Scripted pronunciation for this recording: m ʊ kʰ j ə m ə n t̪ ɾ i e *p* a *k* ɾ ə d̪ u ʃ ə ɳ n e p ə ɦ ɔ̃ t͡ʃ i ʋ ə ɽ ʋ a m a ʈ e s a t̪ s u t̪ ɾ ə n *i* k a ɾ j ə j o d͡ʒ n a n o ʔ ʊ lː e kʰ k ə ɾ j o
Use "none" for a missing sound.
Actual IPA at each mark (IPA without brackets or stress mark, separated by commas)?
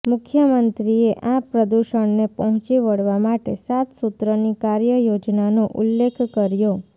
ʔ, p, i